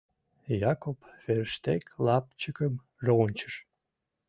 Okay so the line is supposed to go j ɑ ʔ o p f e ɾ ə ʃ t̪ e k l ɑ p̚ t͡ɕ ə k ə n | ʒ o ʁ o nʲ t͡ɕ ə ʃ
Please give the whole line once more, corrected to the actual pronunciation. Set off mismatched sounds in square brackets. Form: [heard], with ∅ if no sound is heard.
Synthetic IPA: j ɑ [k] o p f e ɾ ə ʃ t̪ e k l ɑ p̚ t͡ɕ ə k ə [m] | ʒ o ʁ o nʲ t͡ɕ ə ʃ